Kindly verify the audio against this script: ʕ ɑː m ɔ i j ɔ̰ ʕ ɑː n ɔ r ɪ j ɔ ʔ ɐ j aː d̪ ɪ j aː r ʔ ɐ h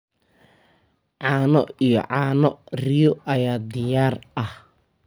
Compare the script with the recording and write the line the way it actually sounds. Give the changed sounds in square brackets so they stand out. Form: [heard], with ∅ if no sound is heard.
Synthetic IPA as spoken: ʕ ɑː [n] ɔ i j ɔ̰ ʕ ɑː n ɔ r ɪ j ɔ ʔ ɐ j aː d̪ ɪ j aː r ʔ ɐ h